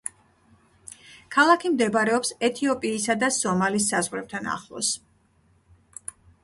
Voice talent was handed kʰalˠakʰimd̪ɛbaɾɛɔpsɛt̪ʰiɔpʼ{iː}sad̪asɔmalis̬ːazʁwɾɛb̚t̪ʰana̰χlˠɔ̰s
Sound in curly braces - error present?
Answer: no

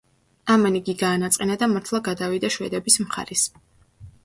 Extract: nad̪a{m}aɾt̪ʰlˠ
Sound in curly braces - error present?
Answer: no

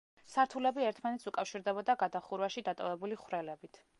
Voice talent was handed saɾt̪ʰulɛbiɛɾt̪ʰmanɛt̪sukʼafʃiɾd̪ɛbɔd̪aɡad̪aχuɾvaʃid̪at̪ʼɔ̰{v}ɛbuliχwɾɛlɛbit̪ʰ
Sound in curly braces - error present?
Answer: no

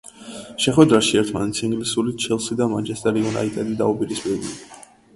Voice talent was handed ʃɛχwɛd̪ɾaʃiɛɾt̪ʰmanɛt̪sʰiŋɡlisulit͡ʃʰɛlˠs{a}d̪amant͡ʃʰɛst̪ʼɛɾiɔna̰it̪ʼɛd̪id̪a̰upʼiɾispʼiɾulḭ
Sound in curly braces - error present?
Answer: yes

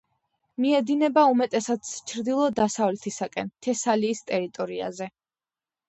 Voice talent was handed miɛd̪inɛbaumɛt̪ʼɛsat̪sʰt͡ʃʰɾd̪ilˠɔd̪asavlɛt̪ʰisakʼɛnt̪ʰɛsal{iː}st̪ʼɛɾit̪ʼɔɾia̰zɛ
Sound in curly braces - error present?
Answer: no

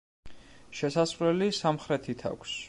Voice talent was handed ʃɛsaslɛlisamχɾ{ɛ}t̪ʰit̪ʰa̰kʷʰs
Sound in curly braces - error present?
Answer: no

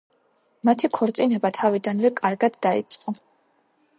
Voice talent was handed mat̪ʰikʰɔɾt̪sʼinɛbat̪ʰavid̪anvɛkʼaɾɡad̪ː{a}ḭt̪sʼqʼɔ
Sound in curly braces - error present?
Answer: no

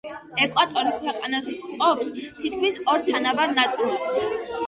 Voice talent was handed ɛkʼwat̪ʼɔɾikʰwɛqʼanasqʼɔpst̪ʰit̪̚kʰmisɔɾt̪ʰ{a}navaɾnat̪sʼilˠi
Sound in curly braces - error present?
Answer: no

